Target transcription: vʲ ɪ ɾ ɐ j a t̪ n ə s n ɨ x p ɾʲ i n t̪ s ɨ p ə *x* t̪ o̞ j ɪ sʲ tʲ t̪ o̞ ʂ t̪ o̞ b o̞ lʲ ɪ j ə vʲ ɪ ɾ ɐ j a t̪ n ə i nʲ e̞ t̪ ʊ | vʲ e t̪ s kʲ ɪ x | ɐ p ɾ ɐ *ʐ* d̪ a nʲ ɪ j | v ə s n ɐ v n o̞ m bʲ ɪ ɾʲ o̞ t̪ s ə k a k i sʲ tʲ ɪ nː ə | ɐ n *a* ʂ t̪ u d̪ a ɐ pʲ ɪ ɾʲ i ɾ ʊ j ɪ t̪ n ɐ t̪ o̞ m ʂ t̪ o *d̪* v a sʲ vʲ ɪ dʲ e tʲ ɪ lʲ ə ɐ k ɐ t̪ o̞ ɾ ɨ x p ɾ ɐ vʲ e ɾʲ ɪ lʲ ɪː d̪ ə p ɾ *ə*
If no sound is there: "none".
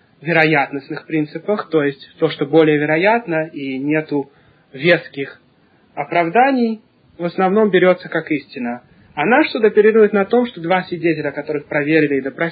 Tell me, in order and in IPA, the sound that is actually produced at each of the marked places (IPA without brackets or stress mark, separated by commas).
x, v, a, d̪, ɐ